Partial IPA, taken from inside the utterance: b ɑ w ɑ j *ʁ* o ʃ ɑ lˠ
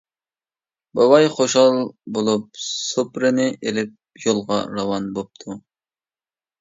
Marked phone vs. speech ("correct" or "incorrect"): incorrect